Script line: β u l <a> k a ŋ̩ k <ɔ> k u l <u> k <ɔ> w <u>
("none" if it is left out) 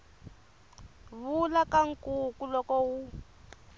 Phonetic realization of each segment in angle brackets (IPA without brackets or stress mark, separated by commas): a, u, ɔ, ɔ, u